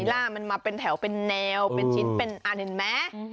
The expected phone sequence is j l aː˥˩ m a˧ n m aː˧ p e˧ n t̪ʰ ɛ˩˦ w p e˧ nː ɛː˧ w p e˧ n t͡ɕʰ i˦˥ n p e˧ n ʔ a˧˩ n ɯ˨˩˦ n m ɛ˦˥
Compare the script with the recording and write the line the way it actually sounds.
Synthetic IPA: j l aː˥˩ m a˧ n m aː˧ p e˧ n t̪ʰ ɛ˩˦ w p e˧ nː ɛː˧ w p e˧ n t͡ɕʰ i˦˥ n p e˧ n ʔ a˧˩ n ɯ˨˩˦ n m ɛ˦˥

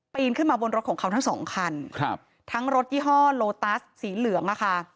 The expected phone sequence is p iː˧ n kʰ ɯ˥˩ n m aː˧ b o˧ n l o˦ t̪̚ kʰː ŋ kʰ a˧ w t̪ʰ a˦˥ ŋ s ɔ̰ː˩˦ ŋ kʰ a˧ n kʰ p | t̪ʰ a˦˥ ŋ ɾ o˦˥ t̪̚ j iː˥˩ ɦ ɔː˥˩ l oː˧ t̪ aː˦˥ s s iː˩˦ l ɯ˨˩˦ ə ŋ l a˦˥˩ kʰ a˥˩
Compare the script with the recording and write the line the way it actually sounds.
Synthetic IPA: p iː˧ n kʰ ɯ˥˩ n m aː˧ b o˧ n ɾ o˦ t̪̚ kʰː ŋ kʰ a˧ w t̪ʰ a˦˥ ŋ s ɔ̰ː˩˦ ŋ kʰ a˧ n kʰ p | t̪ʰ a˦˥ ŋ ɾ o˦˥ t̪̚ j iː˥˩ ɦ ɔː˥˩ l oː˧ t̪ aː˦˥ s s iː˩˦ l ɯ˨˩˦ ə ŋ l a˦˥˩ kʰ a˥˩

